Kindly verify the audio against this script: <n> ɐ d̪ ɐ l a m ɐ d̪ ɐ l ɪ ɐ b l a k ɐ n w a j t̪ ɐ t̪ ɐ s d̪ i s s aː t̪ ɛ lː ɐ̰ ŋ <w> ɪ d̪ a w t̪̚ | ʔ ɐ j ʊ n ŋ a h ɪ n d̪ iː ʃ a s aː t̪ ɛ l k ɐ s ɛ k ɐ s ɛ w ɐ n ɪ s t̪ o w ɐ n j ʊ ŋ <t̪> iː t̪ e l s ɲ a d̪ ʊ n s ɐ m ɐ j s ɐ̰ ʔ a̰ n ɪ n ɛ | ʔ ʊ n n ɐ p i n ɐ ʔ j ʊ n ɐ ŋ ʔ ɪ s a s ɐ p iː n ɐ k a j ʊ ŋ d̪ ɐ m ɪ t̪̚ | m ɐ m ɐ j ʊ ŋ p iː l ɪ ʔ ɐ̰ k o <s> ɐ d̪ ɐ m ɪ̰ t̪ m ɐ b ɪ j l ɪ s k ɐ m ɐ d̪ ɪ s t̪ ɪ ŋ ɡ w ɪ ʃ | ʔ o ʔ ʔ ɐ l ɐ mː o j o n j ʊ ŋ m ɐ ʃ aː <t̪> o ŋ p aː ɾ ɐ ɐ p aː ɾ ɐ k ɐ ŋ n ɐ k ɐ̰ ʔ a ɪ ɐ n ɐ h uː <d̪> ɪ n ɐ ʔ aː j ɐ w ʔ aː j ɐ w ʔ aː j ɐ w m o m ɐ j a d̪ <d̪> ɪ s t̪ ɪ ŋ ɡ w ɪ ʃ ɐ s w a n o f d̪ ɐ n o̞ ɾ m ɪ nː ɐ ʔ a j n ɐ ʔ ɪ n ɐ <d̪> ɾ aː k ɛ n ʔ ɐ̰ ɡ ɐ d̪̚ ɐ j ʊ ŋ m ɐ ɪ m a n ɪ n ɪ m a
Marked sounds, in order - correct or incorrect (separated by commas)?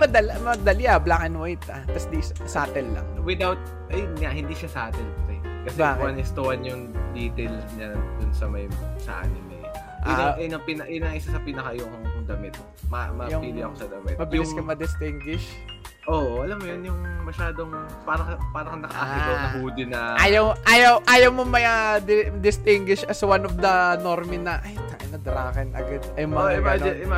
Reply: incorrect, correct, incorrect, correct, incorrect, correct, correct, correct